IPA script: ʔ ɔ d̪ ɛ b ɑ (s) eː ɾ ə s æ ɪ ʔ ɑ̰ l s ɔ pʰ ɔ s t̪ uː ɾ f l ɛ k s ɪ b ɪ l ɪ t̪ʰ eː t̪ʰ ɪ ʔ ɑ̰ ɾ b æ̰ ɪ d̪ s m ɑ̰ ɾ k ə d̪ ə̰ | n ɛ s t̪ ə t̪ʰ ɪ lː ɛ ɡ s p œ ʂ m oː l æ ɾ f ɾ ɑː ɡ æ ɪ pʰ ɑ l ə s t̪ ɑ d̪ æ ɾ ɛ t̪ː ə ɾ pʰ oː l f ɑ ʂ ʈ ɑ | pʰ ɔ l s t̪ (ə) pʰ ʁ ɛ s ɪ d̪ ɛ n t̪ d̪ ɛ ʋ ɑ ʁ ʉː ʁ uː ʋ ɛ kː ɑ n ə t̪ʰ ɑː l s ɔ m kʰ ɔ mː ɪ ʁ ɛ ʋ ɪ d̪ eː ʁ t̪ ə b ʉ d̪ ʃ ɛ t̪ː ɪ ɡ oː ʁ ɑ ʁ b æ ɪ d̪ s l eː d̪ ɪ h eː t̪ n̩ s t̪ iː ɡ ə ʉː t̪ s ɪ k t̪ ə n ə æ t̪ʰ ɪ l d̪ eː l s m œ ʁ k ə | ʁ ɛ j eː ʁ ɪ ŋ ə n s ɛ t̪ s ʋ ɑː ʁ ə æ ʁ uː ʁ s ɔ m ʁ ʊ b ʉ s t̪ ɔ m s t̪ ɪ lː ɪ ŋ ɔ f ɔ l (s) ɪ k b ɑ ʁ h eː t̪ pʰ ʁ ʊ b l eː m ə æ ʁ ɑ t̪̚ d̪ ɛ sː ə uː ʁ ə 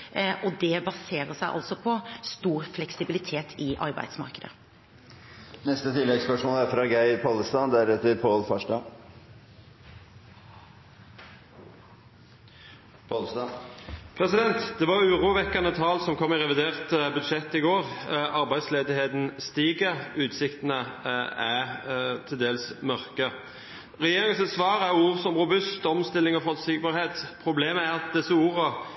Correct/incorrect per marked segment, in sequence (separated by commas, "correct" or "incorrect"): correct, incorrect, correct